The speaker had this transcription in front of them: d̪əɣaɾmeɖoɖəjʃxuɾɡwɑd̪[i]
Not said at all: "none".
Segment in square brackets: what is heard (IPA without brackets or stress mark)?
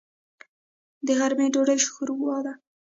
a